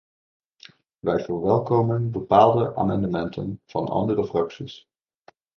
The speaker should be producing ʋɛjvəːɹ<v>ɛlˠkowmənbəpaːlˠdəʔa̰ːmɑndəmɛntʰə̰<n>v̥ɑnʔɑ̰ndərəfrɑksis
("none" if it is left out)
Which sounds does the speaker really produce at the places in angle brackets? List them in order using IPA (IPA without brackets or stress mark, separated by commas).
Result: ʋ, n